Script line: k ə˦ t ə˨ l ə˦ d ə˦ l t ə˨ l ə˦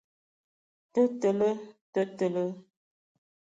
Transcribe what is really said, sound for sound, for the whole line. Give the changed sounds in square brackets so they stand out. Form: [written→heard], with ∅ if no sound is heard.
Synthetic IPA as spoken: [k→t] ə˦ t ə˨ l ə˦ [d→t] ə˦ [l→∅] t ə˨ l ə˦